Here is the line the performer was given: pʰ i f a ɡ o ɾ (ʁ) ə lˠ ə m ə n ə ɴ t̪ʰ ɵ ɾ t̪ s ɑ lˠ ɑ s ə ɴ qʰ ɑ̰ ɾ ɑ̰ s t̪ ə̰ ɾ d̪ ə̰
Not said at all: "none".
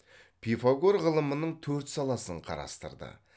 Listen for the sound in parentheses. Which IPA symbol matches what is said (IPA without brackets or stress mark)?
ʁ